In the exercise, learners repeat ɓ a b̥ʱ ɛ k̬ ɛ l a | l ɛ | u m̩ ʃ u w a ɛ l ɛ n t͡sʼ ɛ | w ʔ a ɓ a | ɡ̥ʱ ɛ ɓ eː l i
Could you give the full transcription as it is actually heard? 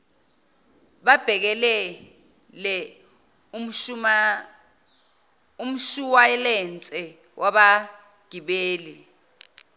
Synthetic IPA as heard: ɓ a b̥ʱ ɛ k̬ ɛ l ɛ | l ɛ | u m̩ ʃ u w a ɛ l ɛ n t͡sʼ ɛ | w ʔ a ɓ a | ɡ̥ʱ i ɓ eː l i